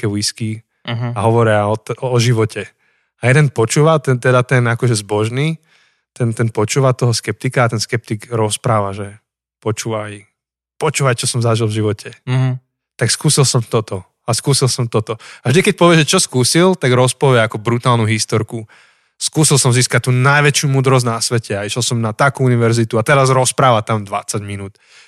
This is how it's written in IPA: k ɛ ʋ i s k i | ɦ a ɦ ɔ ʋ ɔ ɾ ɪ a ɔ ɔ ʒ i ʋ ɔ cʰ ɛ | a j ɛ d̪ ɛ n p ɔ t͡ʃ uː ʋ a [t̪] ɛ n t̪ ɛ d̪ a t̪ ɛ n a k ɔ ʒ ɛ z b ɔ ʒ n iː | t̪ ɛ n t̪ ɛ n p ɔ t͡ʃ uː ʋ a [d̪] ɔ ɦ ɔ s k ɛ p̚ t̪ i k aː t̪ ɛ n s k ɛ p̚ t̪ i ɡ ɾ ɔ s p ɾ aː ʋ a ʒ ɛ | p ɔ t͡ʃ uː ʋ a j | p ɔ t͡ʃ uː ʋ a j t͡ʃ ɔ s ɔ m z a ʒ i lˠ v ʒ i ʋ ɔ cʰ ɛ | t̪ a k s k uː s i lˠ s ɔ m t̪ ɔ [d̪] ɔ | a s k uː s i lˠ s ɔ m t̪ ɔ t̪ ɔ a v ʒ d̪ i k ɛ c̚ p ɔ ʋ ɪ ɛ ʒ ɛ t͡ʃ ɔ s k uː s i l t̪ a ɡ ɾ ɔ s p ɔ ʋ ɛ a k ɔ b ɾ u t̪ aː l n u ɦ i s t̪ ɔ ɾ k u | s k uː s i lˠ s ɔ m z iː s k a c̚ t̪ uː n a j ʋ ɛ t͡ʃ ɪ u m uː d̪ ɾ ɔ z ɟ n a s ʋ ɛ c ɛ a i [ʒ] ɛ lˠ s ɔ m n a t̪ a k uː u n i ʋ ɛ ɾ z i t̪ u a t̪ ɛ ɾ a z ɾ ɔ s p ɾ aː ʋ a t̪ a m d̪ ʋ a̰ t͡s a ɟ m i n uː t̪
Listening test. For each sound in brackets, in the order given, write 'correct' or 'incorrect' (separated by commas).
correct, incorrect, incorrect, incorrect